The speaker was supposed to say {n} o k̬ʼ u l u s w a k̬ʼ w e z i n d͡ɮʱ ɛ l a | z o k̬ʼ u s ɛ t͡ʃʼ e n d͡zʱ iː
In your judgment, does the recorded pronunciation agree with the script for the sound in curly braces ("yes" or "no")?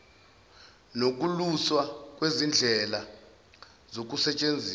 yes